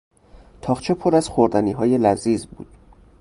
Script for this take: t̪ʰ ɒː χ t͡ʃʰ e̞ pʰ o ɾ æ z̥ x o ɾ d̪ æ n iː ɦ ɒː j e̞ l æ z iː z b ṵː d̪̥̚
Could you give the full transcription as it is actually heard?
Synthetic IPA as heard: t̪ʰ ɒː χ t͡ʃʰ e̞ pʰ o ɾ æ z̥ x o ɾ d̪ æ n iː ɦ ɒː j e̞ l æ z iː z b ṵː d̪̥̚